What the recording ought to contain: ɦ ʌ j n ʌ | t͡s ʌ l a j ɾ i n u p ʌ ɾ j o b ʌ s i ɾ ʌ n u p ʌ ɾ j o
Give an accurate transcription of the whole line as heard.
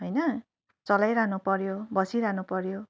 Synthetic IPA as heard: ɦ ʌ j n ʌ | t͡s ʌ l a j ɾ a n u p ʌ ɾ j o b ʌ s i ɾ a n u p ʌ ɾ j o